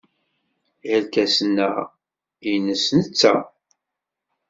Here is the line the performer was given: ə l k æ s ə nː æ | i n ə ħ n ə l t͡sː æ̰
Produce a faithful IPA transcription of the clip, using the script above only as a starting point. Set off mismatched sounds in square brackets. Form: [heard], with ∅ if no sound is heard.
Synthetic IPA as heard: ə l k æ s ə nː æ | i n ə [s] n ə [∅] t͡sː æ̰